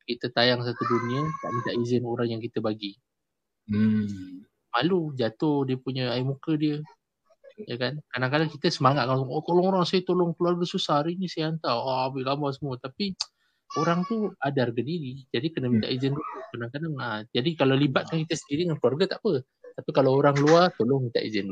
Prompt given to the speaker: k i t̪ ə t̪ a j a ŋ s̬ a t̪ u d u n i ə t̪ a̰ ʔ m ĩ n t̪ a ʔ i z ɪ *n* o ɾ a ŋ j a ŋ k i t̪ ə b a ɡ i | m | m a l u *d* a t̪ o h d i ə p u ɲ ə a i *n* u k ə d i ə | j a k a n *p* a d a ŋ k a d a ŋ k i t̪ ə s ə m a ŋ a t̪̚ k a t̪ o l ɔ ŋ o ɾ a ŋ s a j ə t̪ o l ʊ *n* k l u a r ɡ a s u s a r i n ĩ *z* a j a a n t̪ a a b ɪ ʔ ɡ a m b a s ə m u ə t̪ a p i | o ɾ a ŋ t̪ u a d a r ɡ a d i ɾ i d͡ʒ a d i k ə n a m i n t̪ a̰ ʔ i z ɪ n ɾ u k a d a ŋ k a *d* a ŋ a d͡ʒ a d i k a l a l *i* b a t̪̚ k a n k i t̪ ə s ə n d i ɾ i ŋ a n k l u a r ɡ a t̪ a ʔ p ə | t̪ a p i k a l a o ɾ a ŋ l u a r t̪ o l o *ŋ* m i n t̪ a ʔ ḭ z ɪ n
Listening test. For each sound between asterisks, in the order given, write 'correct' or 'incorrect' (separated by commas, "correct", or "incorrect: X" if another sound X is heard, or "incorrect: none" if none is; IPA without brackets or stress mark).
correct, incorrect: d͡ʒ, incorrect: m, incorrect: k, incorrect: ŋ, incorrect: s, correct, correct, correct